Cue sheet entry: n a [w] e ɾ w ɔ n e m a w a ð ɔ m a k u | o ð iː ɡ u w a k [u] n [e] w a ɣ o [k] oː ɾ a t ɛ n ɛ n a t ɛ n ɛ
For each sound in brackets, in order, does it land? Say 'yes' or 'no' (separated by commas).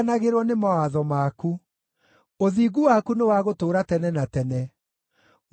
no, yes, yes, no